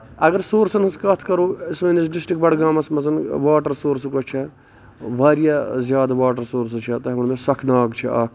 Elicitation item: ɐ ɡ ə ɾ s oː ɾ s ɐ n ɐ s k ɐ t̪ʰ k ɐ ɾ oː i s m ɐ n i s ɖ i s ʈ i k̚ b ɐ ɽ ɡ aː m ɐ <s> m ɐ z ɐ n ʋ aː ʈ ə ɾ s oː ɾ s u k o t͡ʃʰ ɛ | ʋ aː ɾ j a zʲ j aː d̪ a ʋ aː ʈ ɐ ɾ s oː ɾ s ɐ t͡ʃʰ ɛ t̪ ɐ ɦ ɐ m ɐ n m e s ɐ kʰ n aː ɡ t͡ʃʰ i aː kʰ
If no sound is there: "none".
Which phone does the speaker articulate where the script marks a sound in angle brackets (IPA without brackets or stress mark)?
s